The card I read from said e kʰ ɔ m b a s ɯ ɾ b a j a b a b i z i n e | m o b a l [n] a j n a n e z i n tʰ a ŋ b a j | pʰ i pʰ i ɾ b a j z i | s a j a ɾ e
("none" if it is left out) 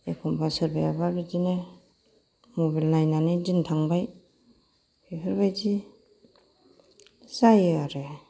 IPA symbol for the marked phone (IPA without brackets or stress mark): n